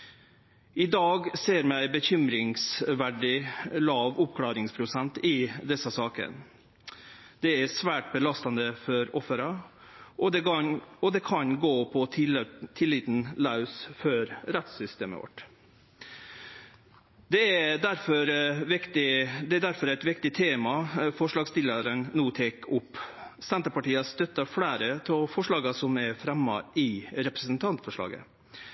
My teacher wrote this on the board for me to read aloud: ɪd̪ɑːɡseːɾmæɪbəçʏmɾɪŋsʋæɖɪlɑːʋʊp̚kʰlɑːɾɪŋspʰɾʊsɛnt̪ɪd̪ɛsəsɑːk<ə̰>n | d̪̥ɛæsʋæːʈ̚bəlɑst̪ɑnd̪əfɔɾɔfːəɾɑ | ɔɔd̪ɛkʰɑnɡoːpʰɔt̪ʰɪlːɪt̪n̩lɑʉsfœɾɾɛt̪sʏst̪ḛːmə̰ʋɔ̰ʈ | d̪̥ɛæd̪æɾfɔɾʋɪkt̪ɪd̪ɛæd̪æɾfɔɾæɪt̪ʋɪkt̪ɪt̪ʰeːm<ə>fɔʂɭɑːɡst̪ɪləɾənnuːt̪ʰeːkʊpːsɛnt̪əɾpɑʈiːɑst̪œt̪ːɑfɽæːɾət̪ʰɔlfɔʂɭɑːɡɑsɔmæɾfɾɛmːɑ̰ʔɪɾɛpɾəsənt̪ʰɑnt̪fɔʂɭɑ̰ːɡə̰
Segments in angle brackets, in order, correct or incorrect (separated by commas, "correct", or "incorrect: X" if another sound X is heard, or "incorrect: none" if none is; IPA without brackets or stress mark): correct, incorrect: ɑ